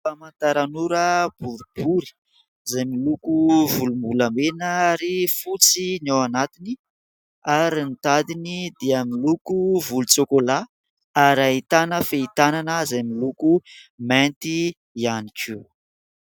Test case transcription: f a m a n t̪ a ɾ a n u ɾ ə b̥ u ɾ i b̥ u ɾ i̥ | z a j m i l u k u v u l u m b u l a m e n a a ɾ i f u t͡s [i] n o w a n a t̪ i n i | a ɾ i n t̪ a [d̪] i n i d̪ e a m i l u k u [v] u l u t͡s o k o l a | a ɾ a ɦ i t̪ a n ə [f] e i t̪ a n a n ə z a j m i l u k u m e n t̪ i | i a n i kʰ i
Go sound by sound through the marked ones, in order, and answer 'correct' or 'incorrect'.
correct, correct, correct, correct

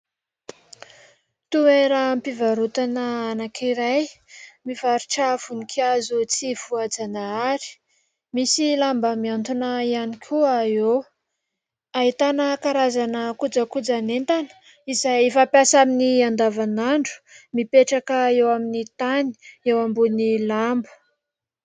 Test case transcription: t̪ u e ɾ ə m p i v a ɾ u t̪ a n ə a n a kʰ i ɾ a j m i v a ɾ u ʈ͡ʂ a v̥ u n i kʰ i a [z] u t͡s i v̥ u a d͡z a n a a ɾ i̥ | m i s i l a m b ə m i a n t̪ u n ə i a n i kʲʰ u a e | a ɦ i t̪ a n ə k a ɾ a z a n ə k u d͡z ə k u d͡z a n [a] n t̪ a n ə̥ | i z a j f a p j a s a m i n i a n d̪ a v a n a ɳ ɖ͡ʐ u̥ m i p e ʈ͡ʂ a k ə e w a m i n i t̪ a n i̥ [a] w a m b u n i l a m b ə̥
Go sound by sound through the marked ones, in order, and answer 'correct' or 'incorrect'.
correct, incorrect: e, incorrect: e

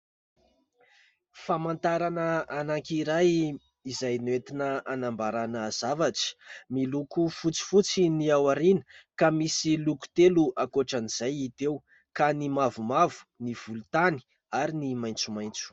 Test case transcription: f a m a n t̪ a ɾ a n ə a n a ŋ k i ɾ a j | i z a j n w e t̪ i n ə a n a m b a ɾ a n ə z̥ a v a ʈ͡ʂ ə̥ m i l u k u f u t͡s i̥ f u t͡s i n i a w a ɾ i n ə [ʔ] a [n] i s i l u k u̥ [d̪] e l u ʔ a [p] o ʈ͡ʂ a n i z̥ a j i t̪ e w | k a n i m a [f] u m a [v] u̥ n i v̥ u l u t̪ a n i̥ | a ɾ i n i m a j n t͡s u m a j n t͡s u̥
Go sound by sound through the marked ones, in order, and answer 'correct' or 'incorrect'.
incorrect: k, incorrect: m, incorrect: t̪, incorrect: k, incorrect: v, correct

